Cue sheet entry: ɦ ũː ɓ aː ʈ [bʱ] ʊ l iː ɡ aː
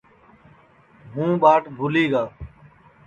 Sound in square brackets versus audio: correct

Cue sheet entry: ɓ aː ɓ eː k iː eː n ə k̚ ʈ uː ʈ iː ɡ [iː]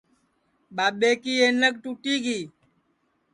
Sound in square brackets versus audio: correct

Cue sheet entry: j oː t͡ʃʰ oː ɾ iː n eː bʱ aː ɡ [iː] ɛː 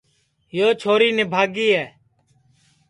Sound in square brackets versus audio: correct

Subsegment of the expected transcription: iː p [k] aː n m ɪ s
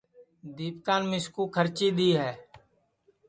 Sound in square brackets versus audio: correct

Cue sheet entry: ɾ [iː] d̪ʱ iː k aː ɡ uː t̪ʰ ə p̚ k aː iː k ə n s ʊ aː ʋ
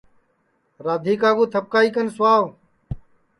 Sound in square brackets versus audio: incorrect: aː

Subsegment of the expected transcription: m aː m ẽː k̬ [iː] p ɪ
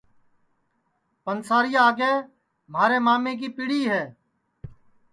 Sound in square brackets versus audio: correct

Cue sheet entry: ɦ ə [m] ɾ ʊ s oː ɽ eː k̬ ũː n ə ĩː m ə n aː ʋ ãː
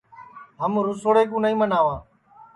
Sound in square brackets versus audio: correct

